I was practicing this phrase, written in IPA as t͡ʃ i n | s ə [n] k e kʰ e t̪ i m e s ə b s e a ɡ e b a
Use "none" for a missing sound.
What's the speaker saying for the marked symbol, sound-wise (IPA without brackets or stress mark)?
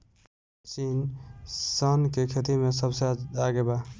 n